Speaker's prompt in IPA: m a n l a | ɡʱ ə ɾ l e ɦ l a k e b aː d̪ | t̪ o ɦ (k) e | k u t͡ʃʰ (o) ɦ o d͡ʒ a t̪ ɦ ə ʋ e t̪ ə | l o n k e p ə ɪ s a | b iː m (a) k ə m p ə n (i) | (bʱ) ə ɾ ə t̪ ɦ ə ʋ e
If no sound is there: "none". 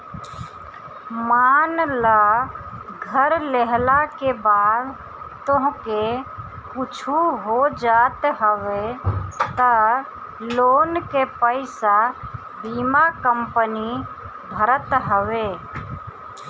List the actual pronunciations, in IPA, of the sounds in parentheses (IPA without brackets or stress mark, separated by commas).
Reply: k, u, a, i, bʱ